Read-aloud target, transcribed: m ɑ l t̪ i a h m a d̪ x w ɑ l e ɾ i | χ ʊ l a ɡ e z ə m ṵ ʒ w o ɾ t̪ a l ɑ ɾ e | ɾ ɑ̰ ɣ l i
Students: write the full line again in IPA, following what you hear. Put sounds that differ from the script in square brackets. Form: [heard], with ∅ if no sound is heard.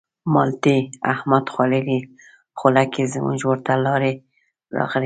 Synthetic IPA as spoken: m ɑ l t̪ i a h m a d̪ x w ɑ l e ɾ i | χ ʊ l a [k] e z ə m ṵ ʒ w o ɾ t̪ a l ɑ ɾ e | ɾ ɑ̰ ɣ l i